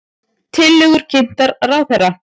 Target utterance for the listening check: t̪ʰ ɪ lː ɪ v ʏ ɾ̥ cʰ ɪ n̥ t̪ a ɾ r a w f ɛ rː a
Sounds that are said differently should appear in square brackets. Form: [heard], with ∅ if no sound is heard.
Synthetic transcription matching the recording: t̪ʰ ɪ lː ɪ [ɣ] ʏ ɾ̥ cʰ ɪ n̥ t̪ a ɾ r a w [θ] ɛ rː a